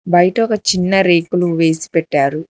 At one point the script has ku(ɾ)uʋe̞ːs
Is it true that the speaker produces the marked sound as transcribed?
no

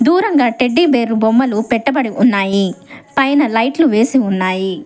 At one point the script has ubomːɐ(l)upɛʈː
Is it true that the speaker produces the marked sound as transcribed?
yes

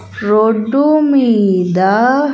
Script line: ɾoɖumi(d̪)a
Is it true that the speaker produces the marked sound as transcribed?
yes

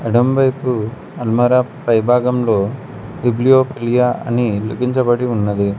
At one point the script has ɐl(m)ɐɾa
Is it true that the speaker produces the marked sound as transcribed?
yes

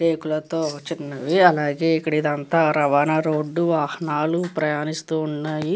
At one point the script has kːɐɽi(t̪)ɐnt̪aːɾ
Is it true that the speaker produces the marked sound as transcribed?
no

